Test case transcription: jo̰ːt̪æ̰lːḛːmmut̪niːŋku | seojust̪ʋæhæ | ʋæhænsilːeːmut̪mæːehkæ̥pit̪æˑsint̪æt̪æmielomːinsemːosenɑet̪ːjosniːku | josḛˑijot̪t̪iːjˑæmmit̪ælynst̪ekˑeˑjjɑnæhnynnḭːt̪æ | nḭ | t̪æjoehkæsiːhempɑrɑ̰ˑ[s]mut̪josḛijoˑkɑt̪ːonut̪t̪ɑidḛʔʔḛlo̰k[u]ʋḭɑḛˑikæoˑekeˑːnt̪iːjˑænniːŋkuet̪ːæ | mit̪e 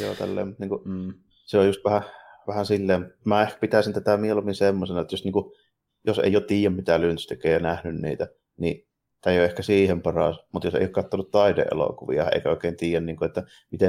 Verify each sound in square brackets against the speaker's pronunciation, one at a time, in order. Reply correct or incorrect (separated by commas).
correct, correct